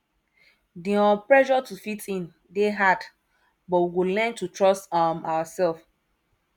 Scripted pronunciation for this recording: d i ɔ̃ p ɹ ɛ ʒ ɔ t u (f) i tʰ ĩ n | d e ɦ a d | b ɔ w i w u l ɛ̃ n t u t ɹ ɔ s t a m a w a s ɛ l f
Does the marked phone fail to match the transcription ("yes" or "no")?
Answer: no